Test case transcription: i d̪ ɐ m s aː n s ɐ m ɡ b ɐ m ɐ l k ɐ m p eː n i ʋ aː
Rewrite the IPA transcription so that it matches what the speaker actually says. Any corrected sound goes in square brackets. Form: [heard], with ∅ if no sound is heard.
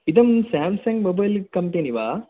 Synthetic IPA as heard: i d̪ ɐ m s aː [m] s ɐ [ŋ] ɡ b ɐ [b] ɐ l k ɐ m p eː n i ʋ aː